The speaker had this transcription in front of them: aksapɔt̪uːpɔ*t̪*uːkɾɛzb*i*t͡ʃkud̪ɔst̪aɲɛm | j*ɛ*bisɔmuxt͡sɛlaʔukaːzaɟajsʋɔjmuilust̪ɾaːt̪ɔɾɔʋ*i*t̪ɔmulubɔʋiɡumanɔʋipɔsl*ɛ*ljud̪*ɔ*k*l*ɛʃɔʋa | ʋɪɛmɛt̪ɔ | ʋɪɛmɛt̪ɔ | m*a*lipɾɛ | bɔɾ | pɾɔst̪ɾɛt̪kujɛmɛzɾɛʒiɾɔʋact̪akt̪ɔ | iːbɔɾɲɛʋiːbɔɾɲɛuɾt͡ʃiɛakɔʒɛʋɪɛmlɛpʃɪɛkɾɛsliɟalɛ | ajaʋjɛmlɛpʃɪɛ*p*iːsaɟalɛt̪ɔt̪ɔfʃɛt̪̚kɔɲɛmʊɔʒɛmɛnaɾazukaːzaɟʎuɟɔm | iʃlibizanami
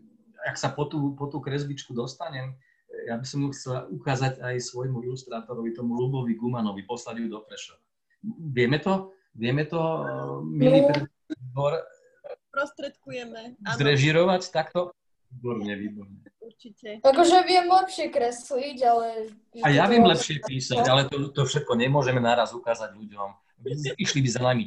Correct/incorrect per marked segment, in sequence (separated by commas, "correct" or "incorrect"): correct, correct, incorrect, correct, incorrect, correct, incorrect, incorrect, correct